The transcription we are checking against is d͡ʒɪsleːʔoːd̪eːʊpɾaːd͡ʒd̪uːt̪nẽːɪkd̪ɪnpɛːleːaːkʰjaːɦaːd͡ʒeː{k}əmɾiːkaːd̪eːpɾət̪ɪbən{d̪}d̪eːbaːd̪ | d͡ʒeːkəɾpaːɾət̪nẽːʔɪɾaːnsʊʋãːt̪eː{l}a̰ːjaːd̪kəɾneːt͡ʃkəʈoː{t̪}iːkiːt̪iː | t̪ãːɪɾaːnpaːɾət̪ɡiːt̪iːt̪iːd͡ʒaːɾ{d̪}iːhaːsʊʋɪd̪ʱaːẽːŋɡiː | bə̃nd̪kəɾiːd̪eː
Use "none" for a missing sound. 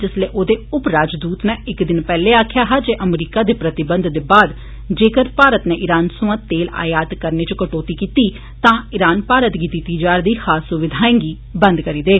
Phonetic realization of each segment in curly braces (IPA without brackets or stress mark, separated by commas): ʔ, d̪, l, t̪, d̪